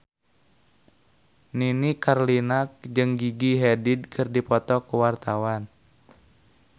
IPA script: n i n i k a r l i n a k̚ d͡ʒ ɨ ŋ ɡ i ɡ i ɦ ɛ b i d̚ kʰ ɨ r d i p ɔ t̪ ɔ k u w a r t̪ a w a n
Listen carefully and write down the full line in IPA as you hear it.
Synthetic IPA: n i n i k a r l i n a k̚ d͡ʒ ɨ ŋ ɡ i ɡ i ɦ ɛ d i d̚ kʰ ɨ r d i p ɔ t̪ ɔ k u w a r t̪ a w a n